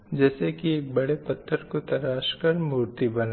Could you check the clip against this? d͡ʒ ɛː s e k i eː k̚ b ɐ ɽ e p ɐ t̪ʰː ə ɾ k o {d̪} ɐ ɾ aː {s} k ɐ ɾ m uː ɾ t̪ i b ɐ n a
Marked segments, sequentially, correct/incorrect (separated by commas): incorrect, incorrect